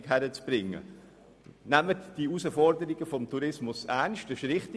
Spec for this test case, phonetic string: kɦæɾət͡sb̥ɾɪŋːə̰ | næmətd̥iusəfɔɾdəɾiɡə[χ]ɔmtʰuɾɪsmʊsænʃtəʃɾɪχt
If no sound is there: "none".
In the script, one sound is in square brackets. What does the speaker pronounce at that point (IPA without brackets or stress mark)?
f